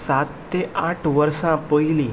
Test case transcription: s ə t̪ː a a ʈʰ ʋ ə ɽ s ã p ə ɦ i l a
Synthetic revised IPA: s a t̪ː e a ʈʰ ʋ ə ɾ s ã p ə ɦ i l i